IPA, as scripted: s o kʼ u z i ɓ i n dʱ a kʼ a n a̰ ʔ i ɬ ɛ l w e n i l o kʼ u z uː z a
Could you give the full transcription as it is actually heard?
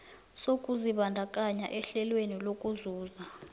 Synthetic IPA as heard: s o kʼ u z i ɓ a n dʱ a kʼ a ɲ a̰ ʔ ɛ ɬ ɛ l w e n i l o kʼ u z uː z a